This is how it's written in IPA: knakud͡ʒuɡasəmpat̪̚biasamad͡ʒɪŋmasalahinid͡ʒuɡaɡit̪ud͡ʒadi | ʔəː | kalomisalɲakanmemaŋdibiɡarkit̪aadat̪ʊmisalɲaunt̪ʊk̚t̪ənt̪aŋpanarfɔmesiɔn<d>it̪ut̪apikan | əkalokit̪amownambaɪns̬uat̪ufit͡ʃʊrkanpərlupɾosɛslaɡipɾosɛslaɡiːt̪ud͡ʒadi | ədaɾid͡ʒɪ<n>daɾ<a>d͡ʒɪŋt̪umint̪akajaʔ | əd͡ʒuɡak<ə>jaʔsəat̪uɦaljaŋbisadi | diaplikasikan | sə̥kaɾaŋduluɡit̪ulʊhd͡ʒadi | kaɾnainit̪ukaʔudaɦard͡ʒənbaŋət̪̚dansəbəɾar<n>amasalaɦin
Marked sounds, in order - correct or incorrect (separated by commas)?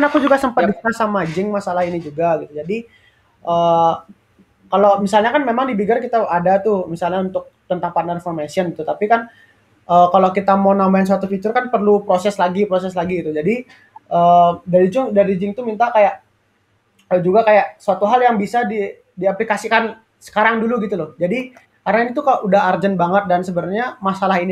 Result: incorrect, incorrect, incorrect, incorrect, incorrect